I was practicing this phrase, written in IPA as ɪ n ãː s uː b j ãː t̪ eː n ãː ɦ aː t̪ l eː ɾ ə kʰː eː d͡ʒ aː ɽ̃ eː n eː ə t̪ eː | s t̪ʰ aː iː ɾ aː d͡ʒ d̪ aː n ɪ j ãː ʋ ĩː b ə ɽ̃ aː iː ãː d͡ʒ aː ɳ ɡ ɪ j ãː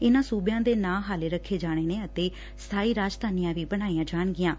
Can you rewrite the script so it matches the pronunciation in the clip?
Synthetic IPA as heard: ɪ n ãː s uː b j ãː d̪ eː n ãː ɦ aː l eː ɾ ə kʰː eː d͡ʒ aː ɽ̃ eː n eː ə t̪ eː | s t̪ʰ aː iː ɾ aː d͡ʒ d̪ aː n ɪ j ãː ʋ iː b ə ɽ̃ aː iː ãː d͡ʒ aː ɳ ɡ ɪ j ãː